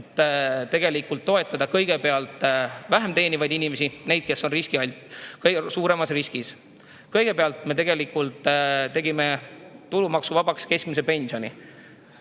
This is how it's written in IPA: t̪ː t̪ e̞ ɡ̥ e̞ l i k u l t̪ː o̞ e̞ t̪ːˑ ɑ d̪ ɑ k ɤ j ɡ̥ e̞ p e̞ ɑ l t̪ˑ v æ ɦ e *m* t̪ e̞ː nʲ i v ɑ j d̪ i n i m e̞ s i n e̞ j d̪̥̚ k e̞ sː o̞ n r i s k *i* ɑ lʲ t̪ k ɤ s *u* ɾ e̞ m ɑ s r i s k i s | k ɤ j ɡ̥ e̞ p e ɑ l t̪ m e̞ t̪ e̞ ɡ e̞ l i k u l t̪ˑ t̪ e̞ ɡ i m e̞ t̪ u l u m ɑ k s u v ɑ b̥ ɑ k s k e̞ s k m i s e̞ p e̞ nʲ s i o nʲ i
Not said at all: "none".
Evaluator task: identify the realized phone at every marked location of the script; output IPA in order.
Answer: m, i, uː

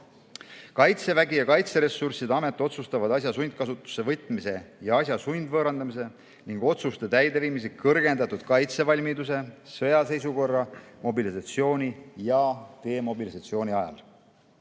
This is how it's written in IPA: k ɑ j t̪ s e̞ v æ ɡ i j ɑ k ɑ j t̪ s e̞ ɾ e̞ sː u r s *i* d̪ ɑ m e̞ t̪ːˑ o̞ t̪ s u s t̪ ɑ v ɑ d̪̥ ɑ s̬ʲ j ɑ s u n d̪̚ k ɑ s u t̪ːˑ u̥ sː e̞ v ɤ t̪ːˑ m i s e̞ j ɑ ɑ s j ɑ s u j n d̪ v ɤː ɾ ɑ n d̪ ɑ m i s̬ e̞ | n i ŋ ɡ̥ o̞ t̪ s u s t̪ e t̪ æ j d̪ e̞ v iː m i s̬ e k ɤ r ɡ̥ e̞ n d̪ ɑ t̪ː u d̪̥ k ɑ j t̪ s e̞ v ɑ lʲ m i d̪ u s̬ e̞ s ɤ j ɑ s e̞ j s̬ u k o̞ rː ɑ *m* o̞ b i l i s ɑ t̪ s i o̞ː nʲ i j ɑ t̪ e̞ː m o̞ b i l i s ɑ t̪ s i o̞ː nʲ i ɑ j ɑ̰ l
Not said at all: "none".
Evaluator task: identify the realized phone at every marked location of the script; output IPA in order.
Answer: i, m

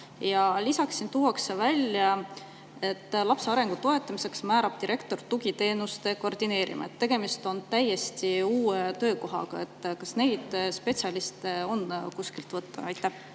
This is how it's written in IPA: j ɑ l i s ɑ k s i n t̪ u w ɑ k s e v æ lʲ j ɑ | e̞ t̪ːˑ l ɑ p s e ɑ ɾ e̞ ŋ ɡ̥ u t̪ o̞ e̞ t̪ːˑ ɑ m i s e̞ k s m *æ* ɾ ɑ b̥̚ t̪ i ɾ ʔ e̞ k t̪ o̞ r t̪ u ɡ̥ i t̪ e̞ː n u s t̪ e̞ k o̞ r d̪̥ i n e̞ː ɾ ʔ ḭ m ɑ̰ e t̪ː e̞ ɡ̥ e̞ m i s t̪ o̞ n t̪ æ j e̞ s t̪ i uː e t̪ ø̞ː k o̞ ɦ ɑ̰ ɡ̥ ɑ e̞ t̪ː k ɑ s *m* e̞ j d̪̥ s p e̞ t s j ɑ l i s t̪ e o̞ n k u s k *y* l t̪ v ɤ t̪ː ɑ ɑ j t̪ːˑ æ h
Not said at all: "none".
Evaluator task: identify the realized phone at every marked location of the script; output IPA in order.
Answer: æː, n, i

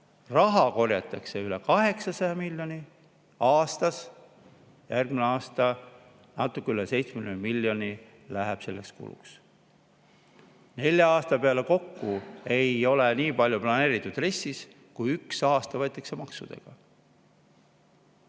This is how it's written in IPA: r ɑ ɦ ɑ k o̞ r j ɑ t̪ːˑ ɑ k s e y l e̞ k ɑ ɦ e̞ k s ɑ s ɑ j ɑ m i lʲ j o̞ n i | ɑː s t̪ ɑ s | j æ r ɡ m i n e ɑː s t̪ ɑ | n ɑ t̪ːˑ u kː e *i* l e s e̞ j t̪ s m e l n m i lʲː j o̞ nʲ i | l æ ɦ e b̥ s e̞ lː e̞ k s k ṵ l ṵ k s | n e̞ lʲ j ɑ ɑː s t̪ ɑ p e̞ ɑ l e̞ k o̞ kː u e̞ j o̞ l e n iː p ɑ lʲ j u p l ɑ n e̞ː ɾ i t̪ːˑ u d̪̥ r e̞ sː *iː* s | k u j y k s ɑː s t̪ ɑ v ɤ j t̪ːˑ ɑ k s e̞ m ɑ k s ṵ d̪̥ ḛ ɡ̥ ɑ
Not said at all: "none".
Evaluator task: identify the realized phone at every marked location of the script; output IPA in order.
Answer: y, i

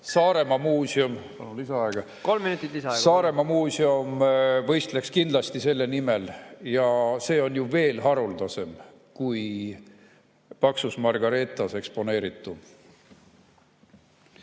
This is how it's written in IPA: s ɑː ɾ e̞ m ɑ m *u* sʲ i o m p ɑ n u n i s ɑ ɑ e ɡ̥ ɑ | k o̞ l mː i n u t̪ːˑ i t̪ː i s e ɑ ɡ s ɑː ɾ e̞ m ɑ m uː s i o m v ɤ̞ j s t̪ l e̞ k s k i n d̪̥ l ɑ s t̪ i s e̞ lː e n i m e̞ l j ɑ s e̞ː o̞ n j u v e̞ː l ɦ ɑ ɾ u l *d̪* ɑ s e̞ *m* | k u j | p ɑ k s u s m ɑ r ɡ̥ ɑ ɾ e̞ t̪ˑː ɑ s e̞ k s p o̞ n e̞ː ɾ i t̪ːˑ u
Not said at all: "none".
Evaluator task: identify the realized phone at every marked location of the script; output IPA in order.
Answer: uː, d̪, m

